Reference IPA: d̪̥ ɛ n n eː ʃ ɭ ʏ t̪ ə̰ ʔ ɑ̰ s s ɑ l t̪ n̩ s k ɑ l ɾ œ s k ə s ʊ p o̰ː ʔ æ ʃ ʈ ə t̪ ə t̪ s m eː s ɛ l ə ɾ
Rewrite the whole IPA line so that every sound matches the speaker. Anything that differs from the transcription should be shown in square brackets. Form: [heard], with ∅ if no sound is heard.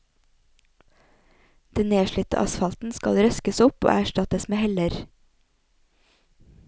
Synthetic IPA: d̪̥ ɛ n n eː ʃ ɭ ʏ t̪ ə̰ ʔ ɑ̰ s [f] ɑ l t̪ n̩ s k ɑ l ɾ œ s k ə s ʊ p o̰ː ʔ æ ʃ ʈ [ɑ] t̪ ə [∅] s m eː [h] ɛ l ə ɾ